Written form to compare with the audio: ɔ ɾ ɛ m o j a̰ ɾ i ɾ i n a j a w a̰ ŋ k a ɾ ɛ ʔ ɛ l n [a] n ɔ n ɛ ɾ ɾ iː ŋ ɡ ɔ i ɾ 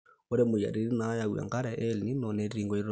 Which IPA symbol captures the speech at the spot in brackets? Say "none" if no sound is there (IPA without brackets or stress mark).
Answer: i